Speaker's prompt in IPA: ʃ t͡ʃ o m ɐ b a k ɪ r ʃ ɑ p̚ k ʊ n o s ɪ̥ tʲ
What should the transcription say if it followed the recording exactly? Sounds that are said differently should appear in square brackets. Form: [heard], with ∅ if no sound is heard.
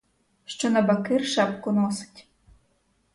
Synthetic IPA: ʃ t͡ʃ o [n] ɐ b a k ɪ r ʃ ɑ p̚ k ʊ n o s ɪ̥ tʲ